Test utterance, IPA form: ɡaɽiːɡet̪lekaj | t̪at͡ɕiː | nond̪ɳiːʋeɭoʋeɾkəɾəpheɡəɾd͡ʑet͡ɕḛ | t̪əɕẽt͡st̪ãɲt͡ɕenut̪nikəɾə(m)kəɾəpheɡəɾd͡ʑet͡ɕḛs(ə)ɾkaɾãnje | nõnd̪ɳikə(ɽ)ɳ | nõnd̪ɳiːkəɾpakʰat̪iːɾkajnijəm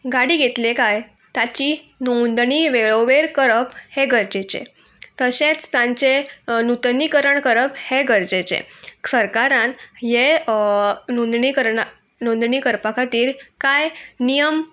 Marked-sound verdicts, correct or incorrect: incorrect, correct, incorrect

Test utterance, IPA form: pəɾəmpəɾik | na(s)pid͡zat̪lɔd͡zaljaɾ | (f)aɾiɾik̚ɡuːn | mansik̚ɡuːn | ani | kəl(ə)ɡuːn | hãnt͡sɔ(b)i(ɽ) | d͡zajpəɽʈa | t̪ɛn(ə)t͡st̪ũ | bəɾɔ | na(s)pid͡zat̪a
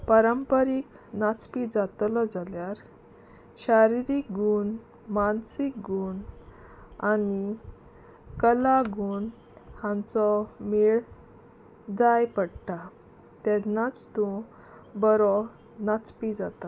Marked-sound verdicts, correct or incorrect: incorrect, incorrect, incorrect, incorrect, incorrect, incorrect, incorrect

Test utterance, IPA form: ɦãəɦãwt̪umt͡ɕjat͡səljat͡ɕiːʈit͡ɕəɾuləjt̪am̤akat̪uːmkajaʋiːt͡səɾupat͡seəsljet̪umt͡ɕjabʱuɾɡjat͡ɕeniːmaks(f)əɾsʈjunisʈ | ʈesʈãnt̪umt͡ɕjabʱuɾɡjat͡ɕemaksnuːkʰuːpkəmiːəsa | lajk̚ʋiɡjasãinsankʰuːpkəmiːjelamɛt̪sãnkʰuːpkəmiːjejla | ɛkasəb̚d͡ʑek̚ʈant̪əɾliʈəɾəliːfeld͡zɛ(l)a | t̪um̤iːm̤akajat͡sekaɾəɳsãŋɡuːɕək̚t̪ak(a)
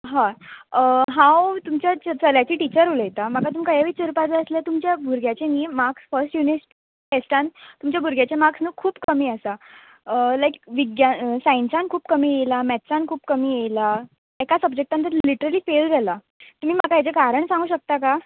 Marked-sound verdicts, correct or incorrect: correct, correct, correct

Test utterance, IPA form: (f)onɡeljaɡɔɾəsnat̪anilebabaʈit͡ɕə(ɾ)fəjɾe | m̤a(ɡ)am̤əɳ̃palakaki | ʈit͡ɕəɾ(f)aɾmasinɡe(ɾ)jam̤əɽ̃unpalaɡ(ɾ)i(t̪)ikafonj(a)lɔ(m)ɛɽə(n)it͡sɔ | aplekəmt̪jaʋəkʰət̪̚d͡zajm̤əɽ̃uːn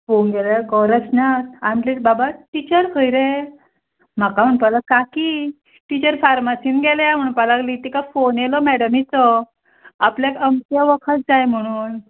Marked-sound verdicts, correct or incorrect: correct, correct, incorrect, correct, incorrect, incorrect, correct, incorrect, correct, incorrect

